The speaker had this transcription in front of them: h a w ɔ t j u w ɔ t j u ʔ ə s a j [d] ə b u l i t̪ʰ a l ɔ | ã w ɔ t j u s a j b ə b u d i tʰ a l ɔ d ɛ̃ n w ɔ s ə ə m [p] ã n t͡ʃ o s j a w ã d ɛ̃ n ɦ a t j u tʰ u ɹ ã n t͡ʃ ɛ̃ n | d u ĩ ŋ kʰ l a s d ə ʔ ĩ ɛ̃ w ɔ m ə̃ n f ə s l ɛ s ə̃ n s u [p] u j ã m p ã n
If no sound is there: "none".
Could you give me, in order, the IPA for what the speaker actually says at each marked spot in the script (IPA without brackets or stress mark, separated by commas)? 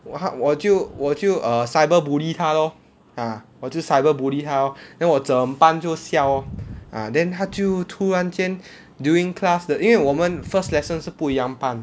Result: b, p, p